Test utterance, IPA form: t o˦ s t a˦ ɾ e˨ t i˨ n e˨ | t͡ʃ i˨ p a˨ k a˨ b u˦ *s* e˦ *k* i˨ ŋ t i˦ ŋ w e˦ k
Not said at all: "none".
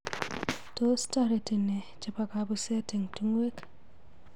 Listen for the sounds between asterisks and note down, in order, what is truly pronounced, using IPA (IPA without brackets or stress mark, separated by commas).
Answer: s, t